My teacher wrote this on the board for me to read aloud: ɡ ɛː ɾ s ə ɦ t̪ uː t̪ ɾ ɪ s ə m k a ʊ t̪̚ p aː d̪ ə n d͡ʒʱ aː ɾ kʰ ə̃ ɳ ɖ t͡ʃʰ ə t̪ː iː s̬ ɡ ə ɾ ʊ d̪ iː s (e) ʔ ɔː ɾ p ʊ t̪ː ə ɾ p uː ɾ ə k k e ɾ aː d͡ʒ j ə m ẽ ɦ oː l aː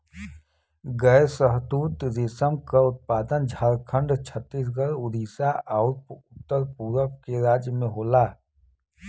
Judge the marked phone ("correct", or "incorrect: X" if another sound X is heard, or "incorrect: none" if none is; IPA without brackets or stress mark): incorrect: a